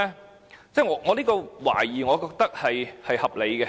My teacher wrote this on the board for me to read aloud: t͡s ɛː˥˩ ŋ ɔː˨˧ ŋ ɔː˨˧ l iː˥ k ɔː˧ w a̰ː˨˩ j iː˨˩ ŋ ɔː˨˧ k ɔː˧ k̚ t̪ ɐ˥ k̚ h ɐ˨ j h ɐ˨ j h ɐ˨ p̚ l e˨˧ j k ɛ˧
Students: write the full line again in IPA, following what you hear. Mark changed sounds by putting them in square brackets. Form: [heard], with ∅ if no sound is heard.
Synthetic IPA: t͡s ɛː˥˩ ŋ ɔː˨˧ ŋ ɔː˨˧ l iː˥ k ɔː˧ w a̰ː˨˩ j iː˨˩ ŋ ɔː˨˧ k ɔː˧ k̚ t̪ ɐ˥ k̚ h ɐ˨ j h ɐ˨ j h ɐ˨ p̚ l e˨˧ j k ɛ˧